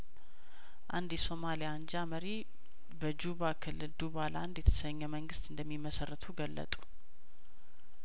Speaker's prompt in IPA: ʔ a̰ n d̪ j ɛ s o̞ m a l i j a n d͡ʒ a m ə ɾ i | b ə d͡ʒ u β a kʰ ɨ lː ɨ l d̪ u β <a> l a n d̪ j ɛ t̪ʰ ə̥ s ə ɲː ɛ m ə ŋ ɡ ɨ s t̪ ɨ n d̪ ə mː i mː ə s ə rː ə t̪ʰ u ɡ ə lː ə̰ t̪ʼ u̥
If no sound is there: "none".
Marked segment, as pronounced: a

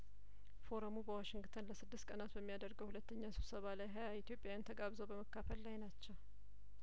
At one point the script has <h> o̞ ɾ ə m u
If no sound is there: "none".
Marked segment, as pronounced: f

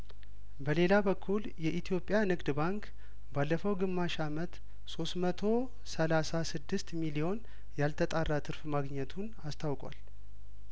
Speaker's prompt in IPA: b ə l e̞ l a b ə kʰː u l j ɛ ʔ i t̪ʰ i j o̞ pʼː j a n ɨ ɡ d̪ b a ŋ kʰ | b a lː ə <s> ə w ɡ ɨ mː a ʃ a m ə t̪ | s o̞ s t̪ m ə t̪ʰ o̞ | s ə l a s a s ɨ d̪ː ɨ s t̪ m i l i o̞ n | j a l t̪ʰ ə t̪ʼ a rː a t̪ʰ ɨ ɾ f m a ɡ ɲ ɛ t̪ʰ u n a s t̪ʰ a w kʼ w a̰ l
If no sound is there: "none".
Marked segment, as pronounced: f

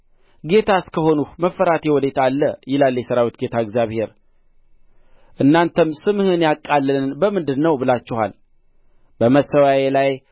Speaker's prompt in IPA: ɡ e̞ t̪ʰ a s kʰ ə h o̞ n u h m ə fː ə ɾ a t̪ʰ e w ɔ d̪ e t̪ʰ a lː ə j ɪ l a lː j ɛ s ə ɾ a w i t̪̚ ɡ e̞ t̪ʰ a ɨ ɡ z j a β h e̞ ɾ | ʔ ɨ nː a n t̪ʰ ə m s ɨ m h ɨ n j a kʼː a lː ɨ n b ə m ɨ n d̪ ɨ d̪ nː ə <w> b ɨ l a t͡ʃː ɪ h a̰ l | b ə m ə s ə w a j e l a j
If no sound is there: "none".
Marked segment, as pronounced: w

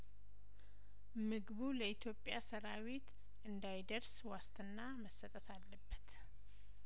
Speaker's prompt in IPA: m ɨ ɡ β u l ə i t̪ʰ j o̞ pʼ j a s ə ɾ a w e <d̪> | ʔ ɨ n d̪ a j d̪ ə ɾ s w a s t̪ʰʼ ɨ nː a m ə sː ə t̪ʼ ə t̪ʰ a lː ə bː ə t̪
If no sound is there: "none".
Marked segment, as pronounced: t̪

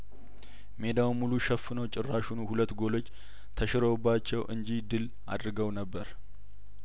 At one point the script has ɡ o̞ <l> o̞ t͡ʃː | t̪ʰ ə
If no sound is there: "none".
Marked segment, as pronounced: l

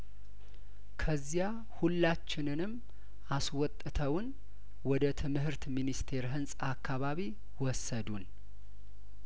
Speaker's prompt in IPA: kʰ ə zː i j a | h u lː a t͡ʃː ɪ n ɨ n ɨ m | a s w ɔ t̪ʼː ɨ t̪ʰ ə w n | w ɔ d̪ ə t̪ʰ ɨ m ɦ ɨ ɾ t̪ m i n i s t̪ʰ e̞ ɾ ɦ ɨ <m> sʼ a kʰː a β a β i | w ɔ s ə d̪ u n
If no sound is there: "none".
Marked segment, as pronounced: n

